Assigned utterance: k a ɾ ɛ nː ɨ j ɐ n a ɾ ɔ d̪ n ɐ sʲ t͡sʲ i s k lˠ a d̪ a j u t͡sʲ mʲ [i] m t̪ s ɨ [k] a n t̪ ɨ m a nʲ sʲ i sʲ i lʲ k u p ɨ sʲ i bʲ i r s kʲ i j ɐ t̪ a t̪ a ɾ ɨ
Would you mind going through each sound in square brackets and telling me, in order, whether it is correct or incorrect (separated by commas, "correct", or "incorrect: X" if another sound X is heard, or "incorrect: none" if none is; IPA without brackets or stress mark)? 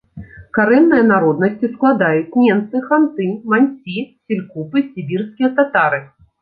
incorrect: ɛ, incorrect: x